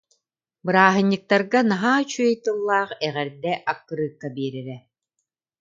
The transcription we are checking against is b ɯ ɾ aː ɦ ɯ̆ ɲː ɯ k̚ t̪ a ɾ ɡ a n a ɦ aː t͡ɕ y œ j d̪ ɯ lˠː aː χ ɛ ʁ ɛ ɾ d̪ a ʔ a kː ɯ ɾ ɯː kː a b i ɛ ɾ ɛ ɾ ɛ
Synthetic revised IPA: b ɯ ɾ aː ɦ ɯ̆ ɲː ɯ k̚ t̪ a ɾ ɡ a n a ɦ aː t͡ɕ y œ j t̪ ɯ lˠː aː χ ɛ ʁ ɛ ɾ d̪ ɛ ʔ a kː ɯ ɾ ɯː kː a b i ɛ ɾ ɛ ɾ ɛ